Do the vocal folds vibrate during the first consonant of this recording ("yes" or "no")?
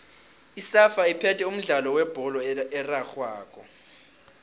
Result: no